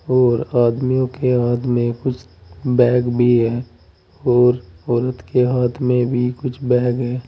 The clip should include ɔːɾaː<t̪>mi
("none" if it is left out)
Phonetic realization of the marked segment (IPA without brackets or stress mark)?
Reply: d̪